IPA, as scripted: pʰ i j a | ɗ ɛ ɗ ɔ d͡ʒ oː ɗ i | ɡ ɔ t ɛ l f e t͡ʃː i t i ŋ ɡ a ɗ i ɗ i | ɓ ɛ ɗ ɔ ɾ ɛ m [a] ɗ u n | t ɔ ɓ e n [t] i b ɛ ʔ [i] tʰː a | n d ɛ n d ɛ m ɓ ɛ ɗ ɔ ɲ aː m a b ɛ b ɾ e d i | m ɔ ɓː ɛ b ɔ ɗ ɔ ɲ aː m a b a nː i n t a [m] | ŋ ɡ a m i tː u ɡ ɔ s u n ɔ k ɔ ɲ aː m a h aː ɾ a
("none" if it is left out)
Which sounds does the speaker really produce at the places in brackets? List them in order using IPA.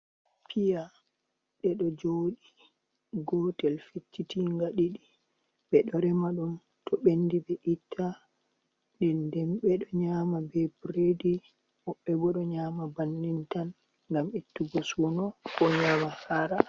a, d, i, n

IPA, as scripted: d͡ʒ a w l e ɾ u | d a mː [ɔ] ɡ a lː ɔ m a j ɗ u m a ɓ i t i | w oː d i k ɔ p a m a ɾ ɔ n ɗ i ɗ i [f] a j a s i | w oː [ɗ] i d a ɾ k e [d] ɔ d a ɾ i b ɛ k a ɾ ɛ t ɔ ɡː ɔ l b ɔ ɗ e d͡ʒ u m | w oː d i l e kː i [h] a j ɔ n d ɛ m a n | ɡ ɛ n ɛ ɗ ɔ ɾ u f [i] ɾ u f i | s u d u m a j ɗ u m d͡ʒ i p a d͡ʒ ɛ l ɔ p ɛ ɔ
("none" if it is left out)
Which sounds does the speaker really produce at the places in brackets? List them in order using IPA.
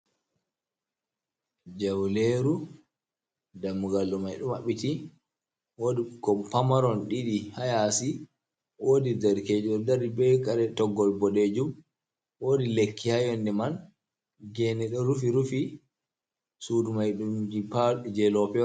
u, h, d, d͡ʒ, h, i

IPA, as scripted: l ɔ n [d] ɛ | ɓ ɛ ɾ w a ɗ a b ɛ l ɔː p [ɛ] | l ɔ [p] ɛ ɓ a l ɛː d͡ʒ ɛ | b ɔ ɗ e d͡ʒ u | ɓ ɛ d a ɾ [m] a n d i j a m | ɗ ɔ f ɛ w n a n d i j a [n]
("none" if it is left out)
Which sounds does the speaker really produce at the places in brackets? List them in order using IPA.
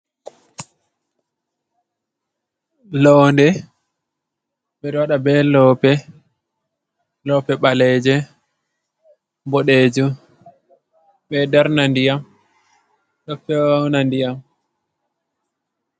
d, ɛ, p, n, m

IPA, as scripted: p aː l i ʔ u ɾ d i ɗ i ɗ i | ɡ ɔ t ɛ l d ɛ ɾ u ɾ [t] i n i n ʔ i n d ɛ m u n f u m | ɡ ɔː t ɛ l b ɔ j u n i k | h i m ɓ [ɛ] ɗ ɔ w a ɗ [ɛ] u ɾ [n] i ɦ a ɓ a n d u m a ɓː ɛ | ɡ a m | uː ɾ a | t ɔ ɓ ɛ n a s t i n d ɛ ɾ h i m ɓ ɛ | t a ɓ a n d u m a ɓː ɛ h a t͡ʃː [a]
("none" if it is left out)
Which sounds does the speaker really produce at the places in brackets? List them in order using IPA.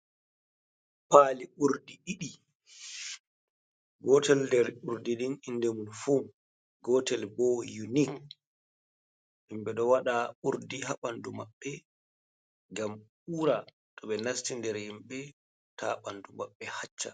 d, ɛ, a, d, a

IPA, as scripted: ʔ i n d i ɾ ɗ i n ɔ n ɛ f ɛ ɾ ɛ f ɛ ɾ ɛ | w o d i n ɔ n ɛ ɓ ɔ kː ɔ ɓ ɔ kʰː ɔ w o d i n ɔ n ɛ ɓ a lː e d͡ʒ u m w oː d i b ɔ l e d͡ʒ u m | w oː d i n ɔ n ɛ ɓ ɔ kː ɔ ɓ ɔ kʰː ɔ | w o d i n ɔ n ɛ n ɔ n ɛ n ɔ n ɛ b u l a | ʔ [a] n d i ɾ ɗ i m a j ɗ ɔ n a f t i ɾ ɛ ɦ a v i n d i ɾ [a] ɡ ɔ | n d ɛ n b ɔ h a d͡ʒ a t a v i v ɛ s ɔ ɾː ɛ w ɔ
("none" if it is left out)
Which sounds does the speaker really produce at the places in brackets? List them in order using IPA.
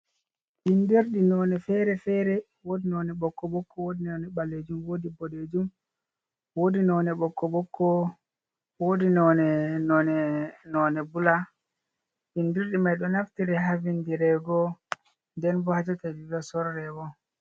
i, ɛ

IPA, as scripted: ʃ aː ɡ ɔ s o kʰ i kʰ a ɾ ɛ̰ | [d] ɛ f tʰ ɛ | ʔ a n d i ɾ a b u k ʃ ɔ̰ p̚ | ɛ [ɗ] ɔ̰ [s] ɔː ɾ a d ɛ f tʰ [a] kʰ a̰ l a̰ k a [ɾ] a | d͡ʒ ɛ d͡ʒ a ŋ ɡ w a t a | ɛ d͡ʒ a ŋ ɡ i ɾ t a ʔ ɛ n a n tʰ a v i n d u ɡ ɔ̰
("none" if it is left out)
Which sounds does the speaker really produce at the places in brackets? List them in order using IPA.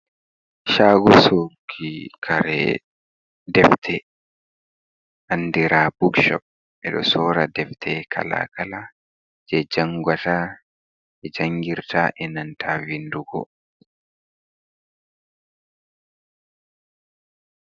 d, ɗ, s, ɛ, l

